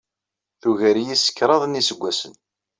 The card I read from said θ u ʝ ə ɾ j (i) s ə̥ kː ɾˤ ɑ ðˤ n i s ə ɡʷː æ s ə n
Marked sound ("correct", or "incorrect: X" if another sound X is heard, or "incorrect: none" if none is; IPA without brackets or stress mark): correct